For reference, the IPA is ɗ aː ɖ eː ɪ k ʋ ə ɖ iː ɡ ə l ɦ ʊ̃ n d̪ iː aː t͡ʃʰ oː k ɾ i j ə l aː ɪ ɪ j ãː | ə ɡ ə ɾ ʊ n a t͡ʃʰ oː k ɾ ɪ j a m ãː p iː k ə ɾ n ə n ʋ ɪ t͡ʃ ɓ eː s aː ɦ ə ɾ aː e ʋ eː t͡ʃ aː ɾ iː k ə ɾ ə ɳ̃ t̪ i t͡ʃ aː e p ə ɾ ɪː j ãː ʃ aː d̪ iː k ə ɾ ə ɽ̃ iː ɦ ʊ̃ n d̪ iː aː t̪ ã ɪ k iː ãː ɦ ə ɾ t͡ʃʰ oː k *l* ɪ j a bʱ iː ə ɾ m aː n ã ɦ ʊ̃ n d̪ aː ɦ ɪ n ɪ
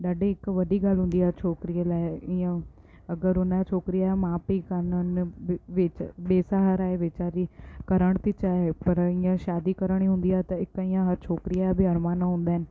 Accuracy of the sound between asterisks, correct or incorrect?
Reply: incorrect